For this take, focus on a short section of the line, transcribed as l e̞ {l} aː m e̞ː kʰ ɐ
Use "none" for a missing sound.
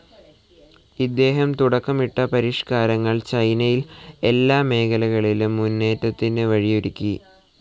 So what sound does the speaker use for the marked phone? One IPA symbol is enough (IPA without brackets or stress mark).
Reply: lː